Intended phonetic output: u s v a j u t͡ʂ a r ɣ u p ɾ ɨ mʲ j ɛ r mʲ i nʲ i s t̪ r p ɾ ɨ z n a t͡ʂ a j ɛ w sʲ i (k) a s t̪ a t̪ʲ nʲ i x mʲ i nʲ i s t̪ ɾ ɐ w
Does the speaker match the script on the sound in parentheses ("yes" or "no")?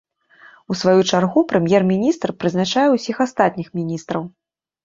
no